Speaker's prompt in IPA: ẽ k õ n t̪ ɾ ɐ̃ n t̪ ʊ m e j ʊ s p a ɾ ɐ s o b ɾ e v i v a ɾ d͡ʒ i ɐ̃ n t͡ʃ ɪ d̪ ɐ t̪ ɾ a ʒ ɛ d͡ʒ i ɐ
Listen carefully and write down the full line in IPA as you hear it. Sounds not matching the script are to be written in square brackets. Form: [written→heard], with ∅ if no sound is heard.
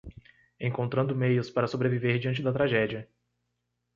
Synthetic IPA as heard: ẽ k õ n t̪ ɾ ɐ̃ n [t̪→d̪] ʊ m e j ʊ s p a ɾ ɐ s o b ɾ e v i v [a→e] ɾ d͡ʒ i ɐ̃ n t͡ʃ ɪ d̪ ɐ t̪ ɾ a ʒ ɛ d͡ʒ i ɐ